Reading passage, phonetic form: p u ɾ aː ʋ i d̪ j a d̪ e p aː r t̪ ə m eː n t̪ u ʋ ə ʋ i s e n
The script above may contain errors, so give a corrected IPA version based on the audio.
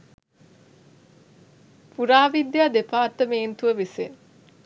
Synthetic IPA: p u ɾ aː ʋ i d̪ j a d̪ e p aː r t̪ ə m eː n t̪ u ʋ ə ʋ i s e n